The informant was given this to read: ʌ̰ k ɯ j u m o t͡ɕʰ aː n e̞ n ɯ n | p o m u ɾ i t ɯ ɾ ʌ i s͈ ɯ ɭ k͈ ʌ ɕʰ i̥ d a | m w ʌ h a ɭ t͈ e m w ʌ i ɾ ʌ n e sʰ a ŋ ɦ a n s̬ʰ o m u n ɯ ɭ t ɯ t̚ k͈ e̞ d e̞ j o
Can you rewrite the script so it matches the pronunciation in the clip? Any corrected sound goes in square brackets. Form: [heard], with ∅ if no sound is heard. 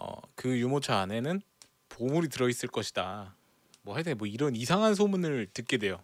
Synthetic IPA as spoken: ʌ̰ k ɯ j u m o t͡ɕʰ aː n e̞ n ɯ n | p o m u ɾ i t ɯ ɾ ʌ i s͈ ɯ ɭ k͈ ʌ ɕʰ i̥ d a | m w ʌ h a ɭ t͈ e m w ʌ i ɾ ʌ n [i] sʰ a ŋ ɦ a n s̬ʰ o m u n ɯ ɭ t ɯ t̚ k͈ e̞ d e̞ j o